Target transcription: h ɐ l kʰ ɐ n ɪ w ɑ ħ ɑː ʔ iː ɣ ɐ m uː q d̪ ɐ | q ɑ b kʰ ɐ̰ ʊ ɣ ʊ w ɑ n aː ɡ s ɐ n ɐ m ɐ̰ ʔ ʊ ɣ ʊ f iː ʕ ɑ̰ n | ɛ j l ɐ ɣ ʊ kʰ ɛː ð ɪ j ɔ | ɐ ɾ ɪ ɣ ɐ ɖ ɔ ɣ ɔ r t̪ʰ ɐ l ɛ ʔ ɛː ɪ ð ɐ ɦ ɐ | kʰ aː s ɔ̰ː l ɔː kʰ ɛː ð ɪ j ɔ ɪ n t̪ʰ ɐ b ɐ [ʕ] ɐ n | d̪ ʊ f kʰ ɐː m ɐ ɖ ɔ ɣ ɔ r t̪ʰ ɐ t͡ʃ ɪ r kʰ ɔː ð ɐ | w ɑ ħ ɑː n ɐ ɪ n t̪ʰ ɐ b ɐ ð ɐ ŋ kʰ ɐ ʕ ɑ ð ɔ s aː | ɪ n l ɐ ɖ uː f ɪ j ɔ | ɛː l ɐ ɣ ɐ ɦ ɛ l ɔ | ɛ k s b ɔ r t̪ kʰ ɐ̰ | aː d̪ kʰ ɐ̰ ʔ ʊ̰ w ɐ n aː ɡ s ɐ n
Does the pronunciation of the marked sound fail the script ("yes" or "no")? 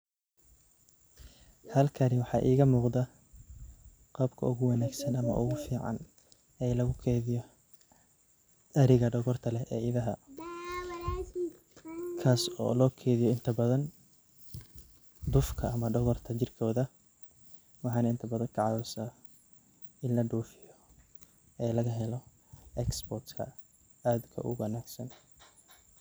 yes